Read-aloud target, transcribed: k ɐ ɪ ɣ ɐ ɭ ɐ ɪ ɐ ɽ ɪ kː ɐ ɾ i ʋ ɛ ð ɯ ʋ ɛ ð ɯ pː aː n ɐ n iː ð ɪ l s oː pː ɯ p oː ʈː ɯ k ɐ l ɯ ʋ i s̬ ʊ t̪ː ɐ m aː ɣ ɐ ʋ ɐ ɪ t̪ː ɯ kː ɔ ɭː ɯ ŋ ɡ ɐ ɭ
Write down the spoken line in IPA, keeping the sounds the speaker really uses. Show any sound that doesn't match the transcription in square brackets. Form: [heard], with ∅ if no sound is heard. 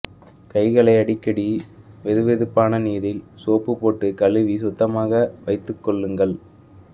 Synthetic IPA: k ɐ ɪ ɣ ɐ ɭ ɐ ɪ ɐ ɽ ɪ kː ɐ [ɽ] i ʋ ɛ ð ɯ ʋ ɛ ð ɯ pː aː n ɐ n iː ð ɪ l s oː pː ɯ p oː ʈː ɯ k ɐ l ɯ ʋ i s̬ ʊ t̪ː ɐ m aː ɣ ɐ ʋ ɐ ɪ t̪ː ɯ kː ɔ ɭː ɯ ŋ ɡ ɐ ɭ